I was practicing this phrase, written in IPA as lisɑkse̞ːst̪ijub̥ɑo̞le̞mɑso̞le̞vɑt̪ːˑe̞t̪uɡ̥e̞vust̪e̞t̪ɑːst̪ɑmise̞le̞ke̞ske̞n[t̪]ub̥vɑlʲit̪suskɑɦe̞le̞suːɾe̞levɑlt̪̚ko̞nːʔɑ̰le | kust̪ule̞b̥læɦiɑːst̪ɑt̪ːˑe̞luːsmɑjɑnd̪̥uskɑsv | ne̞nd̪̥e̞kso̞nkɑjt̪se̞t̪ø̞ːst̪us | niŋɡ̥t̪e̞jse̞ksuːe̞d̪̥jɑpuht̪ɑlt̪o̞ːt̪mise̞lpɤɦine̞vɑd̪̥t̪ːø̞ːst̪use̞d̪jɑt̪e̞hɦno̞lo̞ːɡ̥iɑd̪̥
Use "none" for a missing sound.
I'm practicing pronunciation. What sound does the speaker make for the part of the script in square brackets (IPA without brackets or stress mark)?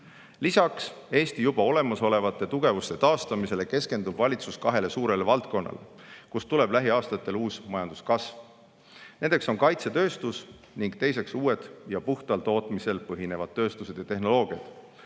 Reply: d̪